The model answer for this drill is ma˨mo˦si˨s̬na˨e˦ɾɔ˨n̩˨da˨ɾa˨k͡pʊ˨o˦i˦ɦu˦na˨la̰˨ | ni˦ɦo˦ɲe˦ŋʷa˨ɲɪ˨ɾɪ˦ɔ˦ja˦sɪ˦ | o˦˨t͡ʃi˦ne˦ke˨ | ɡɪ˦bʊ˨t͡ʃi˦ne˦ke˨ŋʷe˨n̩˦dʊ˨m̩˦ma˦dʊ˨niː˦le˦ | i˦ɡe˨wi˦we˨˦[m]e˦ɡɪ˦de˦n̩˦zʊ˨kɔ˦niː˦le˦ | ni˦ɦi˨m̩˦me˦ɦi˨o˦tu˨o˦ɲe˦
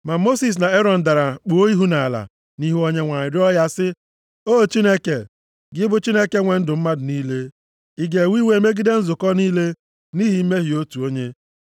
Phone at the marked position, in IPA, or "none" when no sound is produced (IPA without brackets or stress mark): m